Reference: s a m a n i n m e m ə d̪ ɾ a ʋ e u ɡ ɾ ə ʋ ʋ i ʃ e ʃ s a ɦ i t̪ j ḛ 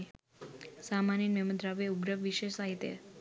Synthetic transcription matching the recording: s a m a n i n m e m ə d̪ ɾ a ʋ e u ɡ ɾ ə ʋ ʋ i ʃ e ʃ s a ɦ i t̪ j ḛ